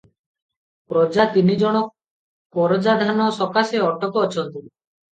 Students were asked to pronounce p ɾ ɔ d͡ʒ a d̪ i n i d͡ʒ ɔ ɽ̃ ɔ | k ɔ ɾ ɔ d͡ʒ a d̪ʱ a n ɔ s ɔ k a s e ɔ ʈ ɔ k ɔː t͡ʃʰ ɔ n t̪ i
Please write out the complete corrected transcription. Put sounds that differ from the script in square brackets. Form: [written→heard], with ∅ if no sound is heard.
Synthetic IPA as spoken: p ɾ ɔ d͡ʒ a [d̪→t̪] i n i d͡ʒ ɔ ɽ̃ ɔ | k ɔ ɾ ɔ d͡ʒ a d̪ʱ a n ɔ s ɔ k a s e ɔ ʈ ɔ k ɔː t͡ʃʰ ɔ n t̪ i